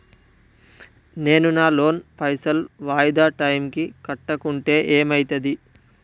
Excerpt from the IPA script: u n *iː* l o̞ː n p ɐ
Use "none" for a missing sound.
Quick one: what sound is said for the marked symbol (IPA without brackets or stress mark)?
aː